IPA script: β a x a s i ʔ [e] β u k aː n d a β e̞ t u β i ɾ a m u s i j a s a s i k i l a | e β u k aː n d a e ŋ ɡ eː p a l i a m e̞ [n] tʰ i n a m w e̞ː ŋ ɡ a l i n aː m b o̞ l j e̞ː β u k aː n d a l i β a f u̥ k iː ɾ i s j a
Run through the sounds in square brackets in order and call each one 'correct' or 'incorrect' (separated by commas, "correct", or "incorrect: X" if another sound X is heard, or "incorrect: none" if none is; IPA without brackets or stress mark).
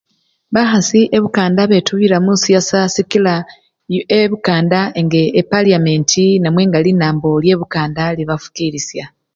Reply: correct, correct